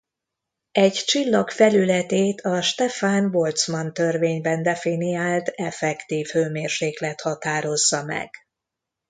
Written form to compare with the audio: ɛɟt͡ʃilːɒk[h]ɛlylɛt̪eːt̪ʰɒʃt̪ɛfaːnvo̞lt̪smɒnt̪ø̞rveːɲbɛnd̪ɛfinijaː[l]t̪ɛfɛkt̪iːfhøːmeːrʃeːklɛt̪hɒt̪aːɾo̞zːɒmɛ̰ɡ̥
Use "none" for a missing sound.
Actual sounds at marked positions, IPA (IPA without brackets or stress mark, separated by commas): f, l